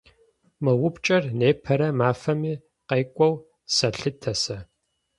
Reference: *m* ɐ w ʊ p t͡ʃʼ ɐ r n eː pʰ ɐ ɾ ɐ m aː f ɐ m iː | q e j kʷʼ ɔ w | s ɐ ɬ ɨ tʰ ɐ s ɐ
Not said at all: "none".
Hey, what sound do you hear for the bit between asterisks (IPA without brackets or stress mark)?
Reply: m